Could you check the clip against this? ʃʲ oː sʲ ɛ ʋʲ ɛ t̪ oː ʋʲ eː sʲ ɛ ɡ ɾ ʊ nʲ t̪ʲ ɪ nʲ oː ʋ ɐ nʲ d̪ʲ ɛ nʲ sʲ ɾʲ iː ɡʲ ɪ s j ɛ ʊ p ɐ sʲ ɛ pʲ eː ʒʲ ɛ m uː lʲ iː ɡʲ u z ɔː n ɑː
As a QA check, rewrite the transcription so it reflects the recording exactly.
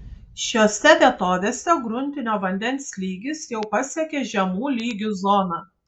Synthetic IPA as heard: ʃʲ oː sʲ ɛ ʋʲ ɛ t̪ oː ʋʲ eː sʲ ɛ ɡ ɾ ʊ nʲ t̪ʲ ɪ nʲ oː ʋ ɐ nʲ d̪ʲ ɛ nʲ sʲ lʲ iː ɡʲ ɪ s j ɛ ʊ p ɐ sʲ ɛ kʲ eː ʒʲ ɛ m uː lʲ iː ɡʲ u z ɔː n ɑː